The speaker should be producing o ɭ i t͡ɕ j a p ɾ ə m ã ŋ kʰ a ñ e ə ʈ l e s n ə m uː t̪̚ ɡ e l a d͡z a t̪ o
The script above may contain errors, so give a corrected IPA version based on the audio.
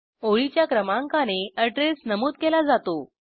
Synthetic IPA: o ɭ i t͡ɕ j a k ɾ ə m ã ŋ k a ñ e ə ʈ ɾ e s n ə m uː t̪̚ k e l a d͡z a t̪ o